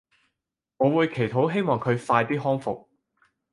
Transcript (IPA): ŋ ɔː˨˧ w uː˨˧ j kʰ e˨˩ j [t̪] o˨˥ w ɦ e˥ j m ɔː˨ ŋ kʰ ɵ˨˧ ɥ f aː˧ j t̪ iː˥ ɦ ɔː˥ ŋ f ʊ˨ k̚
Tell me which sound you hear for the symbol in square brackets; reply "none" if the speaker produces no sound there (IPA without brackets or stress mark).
t̪ʰ